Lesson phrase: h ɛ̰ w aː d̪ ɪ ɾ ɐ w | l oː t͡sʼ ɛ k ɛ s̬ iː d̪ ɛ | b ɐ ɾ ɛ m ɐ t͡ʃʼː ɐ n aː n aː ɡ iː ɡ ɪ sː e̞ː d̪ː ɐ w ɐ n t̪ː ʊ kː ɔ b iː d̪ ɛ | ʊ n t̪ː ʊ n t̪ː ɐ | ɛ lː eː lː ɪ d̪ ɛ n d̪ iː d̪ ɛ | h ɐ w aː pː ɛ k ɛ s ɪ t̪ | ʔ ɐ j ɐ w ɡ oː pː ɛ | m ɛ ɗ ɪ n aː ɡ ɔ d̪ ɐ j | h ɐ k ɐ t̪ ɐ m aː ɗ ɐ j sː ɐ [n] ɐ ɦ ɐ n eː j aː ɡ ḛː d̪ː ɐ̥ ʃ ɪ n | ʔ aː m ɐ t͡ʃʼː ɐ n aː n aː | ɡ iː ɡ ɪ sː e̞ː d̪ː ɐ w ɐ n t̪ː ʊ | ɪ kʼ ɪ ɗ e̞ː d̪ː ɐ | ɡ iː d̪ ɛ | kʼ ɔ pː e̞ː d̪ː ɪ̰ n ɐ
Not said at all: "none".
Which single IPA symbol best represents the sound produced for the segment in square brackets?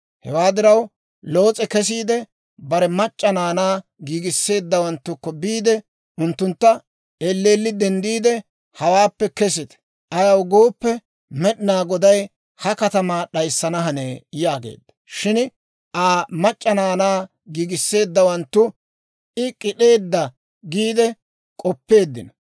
n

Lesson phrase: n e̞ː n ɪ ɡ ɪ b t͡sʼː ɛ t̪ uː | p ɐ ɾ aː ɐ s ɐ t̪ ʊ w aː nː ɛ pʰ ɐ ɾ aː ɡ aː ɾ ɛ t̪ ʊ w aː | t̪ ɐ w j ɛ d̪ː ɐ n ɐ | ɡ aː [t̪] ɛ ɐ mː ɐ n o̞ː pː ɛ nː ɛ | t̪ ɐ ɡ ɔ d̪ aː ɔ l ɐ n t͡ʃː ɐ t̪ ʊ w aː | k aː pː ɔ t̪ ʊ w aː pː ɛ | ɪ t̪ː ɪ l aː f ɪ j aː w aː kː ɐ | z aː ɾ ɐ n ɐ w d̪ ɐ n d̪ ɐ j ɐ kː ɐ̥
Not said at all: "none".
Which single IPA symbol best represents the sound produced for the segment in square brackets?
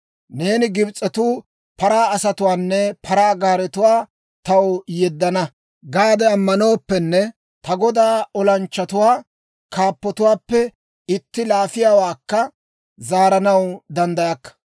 d̪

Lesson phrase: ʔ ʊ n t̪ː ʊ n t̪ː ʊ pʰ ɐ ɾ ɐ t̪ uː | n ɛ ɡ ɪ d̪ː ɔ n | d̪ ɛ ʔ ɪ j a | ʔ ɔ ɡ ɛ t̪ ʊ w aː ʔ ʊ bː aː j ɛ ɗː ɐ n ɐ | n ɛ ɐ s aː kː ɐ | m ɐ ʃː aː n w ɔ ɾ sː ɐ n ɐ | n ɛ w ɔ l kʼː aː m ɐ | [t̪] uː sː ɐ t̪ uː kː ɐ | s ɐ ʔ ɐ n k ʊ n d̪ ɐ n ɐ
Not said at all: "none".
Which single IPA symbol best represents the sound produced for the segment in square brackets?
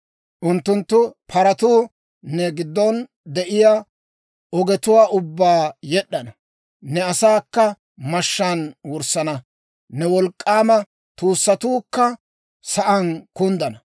t̪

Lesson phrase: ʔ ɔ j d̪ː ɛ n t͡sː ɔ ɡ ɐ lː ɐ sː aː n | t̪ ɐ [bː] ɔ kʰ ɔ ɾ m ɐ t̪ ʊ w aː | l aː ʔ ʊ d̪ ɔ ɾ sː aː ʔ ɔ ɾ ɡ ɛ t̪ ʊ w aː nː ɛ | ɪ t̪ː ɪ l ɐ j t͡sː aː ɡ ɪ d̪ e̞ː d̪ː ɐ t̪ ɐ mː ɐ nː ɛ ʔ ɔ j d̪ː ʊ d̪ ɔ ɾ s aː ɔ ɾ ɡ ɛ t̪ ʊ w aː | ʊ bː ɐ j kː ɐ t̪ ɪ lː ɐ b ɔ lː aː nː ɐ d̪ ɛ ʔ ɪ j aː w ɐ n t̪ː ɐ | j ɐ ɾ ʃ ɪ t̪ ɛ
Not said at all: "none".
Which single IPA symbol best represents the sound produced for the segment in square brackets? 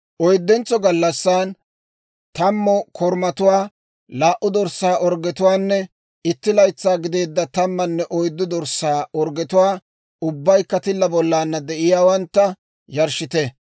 mː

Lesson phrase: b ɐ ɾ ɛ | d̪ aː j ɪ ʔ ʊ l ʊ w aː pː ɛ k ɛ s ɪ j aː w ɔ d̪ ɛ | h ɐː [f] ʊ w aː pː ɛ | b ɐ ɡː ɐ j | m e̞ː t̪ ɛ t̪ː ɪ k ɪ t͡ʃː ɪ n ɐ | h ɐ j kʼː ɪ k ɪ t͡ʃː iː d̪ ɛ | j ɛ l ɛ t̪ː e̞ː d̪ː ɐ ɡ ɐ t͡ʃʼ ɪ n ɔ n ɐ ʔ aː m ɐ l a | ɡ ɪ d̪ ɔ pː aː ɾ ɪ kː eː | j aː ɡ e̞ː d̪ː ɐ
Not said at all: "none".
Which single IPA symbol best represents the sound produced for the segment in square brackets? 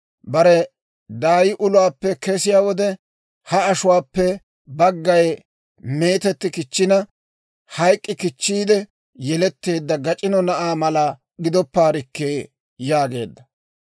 ʃ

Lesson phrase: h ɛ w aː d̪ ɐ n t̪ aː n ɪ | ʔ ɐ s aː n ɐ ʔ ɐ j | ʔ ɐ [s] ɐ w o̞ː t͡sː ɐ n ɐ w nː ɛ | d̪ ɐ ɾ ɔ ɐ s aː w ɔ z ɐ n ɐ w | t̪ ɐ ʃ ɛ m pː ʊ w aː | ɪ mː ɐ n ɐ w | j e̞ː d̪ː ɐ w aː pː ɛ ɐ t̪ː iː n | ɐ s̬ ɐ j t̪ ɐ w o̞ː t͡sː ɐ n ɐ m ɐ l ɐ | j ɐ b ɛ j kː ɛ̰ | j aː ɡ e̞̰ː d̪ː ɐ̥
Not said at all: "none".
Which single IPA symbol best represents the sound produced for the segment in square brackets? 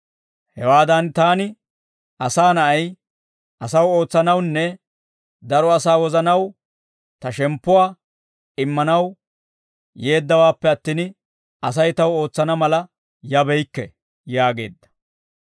s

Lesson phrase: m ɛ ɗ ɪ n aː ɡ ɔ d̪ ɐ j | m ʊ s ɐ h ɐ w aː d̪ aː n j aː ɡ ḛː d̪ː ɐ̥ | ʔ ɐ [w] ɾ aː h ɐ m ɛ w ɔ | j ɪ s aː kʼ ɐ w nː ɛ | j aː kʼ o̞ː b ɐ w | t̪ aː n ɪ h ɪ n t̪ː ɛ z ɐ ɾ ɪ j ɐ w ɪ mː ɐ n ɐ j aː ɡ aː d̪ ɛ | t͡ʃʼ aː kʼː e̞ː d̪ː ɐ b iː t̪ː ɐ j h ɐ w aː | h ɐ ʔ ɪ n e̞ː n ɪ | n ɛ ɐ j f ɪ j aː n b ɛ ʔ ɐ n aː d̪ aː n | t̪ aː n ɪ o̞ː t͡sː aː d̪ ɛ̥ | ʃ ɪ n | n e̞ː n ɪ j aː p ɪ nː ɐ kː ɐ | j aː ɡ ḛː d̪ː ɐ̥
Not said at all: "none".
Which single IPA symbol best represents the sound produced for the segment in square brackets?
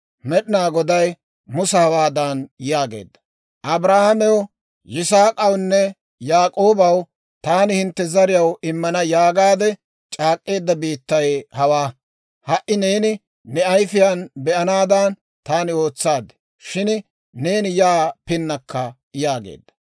b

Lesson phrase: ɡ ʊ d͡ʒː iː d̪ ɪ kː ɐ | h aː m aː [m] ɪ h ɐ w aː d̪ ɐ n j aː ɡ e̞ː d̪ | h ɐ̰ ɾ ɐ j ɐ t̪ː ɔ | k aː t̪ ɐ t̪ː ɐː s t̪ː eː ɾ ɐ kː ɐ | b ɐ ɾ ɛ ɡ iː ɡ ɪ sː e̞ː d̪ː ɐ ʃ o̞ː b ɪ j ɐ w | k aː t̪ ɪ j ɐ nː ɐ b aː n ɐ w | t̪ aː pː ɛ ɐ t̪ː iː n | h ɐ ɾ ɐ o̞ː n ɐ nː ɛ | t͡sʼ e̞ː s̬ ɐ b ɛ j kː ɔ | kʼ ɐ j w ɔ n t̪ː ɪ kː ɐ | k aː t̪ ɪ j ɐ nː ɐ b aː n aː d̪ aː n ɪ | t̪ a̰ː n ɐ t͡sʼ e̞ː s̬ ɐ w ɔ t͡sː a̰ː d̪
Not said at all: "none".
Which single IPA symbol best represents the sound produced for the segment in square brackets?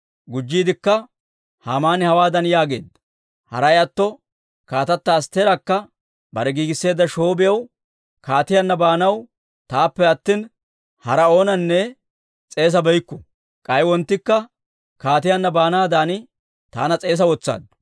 n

